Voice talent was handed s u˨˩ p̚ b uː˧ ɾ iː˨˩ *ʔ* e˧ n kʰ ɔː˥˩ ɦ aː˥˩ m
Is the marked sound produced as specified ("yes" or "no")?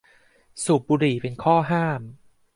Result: no